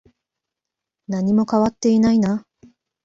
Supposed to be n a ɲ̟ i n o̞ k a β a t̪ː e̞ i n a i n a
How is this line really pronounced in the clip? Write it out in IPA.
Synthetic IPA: n a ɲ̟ i m o̞ k a β a t̪ː e̞ i n a i n a